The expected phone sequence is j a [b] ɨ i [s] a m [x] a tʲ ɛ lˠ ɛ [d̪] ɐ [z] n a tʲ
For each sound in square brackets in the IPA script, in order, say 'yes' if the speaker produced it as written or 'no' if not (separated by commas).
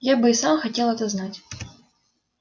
yes, yes, yes, no, yes